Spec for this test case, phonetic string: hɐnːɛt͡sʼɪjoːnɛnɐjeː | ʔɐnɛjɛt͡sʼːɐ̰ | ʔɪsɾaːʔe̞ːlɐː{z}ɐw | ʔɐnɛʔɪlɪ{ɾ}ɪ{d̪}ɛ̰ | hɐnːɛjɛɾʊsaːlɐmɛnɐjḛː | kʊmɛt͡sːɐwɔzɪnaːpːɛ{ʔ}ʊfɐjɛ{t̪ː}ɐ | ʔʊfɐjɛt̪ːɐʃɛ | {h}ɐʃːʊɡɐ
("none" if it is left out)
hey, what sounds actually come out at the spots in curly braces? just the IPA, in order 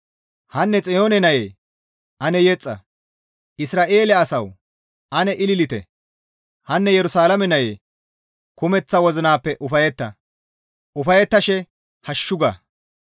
s, l, t̪, ʔ, t̪ː, h

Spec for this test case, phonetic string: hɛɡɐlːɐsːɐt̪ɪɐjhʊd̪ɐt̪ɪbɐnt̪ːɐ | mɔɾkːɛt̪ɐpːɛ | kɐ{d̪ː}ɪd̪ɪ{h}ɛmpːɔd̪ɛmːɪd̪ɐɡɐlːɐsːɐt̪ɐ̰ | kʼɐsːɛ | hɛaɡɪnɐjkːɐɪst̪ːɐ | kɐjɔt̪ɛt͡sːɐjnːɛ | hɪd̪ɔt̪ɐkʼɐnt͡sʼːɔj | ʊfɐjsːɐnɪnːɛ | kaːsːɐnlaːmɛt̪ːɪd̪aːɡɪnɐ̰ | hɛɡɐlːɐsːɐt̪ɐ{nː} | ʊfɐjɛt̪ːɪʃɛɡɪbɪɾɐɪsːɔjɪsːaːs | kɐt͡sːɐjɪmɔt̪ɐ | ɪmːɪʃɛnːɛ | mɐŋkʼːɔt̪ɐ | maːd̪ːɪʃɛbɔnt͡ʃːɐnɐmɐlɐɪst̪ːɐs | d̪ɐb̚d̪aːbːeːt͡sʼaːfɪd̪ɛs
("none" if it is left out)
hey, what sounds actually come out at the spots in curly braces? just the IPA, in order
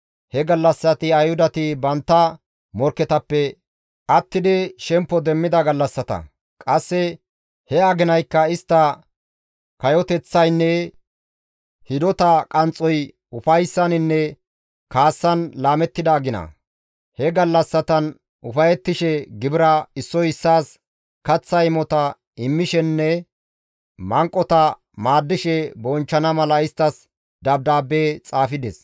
t̪ː, ʃ, n

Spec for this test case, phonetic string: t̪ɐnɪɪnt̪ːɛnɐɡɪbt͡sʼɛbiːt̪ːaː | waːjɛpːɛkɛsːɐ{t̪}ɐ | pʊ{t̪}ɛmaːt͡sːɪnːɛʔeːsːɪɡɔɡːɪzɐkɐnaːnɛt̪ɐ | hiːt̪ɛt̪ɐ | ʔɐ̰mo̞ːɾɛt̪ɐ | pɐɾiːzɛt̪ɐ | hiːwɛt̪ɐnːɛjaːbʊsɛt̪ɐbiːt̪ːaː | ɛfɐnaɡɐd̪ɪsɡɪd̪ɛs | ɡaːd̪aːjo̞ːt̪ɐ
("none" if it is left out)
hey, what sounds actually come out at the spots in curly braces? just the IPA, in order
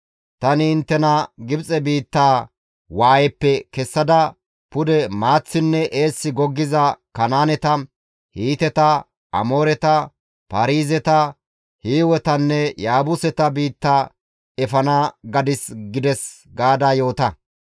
d̪, d̪

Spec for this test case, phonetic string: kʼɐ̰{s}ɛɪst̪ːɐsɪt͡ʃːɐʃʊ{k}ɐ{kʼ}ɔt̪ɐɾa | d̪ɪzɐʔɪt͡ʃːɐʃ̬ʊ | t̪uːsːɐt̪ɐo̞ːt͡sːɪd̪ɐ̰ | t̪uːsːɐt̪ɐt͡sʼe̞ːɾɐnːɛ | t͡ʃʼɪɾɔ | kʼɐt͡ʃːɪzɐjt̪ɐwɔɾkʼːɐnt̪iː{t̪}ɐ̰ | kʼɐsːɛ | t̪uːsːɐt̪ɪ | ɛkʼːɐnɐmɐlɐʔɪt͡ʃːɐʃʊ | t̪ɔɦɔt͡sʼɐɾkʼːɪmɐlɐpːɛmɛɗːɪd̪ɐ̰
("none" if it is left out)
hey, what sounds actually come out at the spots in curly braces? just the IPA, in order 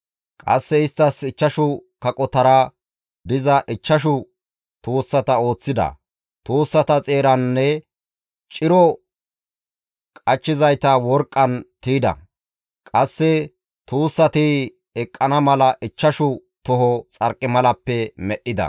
sː, k, kʼ, d̪

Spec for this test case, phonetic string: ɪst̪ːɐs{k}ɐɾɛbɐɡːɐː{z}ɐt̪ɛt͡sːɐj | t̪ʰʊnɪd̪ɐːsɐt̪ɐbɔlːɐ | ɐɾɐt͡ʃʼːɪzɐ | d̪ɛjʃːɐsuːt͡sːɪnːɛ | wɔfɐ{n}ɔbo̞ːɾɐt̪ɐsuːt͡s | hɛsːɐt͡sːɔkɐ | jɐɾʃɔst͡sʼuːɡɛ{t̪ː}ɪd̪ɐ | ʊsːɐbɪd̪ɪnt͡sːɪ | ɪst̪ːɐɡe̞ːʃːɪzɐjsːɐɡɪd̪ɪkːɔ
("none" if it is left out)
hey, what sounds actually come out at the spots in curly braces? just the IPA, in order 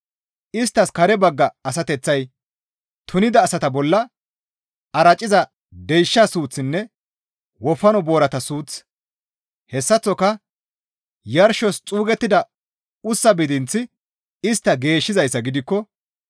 k, s, n, t̪ː

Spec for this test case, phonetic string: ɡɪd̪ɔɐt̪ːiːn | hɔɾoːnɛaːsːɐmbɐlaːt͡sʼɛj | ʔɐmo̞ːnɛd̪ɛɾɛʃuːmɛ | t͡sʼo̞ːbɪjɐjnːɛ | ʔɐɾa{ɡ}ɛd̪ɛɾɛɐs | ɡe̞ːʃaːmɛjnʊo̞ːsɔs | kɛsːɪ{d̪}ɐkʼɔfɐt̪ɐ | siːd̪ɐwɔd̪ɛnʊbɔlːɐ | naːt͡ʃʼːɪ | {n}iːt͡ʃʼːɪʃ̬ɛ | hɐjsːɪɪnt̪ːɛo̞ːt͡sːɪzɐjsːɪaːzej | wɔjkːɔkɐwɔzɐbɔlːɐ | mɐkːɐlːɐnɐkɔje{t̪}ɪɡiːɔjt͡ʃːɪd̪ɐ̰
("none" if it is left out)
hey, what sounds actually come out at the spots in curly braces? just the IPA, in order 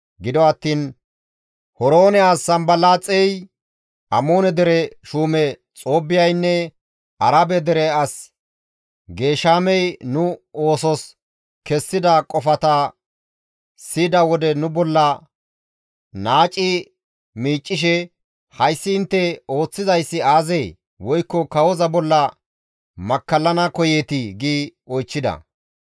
b, d̪, m, t̪

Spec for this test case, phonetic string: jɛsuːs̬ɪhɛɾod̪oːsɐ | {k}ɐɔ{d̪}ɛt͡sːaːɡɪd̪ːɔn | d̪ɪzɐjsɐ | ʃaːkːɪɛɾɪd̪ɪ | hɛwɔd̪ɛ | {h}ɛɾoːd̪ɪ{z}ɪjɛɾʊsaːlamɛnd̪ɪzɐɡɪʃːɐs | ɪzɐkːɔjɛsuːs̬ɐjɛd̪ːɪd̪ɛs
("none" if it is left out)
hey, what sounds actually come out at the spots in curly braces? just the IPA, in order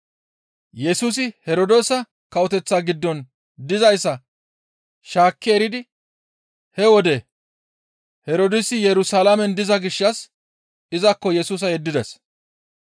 k, t̪, h, s

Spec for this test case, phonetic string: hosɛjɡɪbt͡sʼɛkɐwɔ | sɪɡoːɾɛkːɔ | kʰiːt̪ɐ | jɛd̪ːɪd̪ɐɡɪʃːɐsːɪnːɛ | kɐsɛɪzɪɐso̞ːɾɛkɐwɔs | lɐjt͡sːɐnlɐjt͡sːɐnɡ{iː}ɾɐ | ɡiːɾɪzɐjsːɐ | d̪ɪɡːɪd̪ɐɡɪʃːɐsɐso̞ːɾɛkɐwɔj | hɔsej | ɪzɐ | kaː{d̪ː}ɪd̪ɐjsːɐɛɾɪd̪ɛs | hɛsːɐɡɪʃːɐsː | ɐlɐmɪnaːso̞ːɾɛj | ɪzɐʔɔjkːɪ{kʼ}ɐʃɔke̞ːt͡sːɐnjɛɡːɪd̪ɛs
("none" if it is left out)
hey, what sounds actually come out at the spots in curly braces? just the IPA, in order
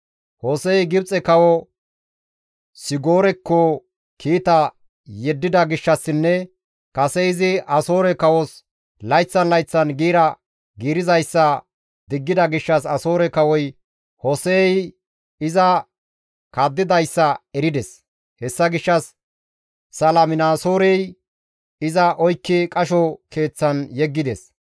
iː, d̪ː, kʼ

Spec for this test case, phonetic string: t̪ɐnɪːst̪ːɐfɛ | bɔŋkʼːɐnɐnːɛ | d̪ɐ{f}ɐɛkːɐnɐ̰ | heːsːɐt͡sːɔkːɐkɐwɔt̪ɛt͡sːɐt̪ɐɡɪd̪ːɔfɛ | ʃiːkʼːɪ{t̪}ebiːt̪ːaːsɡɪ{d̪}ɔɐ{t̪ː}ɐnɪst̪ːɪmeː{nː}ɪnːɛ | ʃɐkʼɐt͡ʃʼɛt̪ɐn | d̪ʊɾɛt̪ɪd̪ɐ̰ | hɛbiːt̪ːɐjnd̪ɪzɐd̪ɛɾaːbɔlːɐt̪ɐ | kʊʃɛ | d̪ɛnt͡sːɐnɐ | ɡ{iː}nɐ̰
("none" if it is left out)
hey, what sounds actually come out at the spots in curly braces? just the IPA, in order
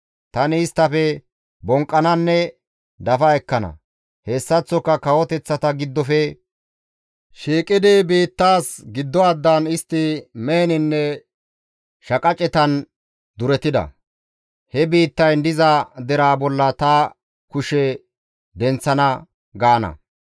f, d̪, d̪ː, d̪ː, n, aː

